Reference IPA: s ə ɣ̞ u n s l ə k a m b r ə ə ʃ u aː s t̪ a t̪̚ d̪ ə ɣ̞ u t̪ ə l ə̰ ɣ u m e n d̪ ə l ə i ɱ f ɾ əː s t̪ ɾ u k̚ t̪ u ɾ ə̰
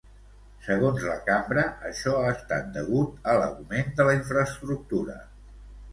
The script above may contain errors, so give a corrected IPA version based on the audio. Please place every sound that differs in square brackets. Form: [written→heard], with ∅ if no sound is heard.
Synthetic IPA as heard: s ə ɣ̞ [u→o] n [s→z] l ə k a m b [r→ɾ] ə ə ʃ [u→ɔ] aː s t̪ a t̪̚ d̪ ə ɣ̞ u t̪ ə l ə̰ ɣ u m e n d̪ ə l ə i ɱ f ɾ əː s t̪ ɾ u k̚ t̪ u ɾ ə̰